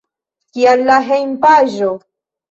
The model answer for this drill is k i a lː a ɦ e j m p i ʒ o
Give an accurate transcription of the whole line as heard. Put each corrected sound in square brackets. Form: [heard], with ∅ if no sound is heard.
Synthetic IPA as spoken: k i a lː a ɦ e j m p [a] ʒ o